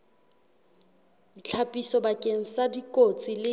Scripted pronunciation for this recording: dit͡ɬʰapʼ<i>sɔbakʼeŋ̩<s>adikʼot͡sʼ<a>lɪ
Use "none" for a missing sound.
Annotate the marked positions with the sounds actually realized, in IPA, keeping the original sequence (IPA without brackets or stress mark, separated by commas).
i, s, i